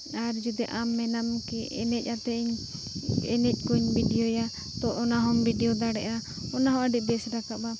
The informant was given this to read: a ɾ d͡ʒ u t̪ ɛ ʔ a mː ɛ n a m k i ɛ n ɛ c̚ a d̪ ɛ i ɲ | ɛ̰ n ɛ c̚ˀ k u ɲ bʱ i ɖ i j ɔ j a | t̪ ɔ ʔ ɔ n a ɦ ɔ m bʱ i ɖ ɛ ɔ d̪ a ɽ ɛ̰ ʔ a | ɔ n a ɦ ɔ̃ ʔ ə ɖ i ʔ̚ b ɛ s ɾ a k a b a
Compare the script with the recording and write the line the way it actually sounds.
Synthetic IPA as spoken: a ɾ d͡ʒ u d̪ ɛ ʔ a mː ɛ n a m k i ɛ n ɛ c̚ a t̪ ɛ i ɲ | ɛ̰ n ɛ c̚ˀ k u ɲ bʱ i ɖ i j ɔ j a | t̪ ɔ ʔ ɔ n a ɦ ɔ m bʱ i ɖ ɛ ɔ d̪ a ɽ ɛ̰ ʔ a | ɔ n a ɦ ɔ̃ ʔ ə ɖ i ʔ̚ b ɛ s ɾ a k a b a